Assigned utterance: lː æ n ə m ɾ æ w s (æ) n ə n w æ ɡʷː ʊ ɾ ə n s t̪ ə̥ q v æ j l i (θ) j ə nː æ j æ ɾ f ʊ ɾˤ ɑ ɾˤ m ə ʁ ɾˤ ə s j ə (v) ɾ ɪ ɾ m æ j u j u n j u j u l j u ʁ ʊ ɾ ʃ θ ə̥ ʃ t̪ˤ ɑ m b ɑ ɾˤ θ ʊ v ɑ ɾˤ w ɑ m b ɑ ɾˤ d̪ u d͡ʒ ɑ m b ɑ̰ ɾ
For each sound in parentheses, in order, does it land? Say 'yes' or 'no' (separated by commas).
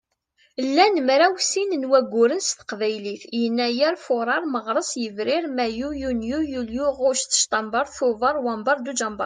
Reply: no, yes, yes